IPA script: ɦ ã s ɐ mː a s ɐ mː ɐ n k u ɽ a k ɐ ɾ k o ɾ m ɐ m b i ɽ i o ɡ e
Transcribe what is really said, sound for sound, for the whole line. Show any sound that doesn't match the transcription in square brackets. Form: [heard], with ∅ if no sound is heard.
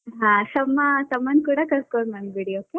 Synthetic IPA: ɦ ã s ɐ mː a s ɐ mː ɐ n k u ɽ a k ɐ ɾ k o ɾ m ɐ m b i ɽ i o [k] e